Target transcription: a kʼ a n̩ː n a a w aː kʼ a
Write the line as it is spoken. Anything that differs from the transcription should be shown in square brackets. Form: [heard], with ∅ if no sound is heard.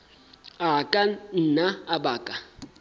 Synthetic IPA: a kʼ a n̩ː n a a [b] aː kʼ a